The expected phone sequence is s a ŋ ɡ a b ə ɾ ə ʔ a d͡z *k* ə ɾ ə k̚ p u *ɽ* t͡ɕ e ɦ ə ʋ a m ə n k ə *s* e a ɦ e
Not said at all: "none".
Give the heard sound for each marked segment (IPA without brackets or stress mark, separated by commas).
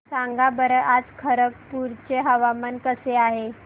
kʰ, ɾ, s